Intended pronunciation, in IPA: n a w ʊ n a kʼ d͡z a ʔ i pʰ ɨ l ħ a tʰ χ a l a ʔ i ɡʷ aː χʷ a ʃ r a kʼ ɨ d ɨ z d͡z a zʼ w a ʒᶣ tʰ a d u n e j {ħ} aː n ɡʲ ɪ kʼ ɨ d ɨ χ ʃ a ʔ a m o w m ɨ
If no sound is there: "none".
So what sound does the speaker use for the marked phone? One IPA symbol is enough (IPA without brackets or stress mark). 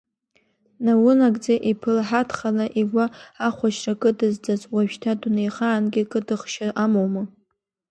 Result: χ